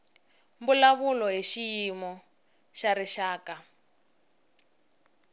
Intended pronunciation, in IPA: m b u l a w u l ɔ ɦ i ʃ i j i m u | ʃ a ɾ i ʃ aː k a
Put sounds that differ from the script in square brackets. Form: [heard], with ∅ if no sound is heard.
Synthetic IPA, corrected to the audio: m b u l a [β] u l ɔ ɦ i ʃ i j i m [ɔ] | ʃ a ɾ i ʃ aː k a